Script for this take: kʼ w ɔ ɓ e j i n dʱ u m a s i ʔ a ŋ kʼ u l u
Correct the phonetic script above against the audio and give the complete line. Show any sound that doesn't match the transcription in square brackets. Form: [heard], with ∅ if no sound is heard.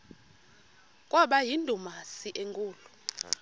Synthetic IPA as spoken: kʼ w ɔ ɓ [a] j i n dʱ u m a s i ʔ [e] ŋ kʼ [uː] l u

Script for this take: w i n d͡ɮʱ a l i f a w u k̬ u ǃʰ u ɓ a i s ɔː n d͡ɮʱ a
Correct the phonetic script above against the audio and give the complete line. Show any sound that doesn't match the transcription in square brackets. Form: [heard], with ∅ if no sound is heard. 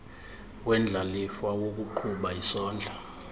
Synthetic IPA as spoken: w [ɛ] n d͡ɮʱ a l i f a w [o] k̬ u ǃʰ u ɓ a i s ɔː n d͡ɮʱ a

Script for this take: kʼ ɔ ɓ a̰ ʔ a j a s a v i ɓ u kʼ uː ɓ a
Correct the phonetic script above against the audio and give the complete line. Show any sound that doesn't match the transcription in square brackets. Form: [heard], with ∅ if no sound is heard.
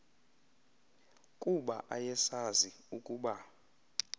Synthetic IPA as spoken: kʼ [u] ɓ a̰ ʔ a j [ɛ] s a [z] i [∅] u kʼ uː ɓ a

